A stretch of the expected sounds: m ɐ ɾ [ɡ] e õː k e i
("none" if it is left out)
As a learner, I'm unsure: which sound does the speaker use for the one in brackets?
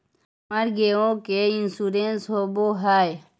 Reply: ɡ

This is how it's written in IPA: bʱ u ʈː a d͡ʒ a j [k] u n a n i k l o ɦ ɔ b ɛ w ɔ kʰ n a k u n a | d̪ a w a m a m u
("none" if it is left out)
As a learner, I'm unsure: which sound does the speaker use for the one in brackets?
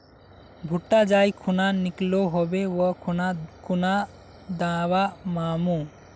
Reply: kʰ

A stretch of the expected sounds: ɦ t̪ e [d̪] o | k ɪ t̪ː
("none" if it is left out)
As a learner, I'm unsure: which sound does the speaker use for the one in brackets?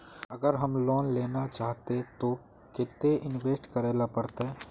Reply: t̪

